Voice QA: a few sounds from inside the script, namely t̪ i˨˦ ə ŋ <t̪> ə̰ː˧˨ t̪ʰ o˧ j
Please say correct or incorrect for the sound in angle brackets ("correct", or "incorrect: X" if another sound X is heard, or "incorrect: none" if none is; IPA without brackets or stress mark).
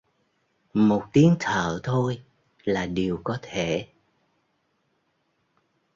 incorrect: t̪ʰ